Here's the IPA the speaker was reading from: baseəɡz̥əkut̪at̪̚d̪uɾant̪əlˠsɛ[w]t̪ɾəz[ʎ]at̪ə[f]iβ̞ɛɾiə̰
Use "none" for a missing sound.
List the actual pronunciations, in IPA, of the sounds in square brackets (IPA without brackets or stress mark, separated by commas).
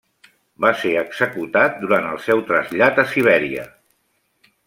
w, ʎ, s